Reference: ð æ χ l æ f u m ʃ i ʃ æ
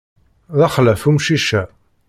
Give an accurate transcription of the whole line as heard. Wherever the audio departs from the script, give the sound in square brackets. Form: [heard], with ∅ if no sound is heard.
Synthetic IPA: ð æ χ l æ f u m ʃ i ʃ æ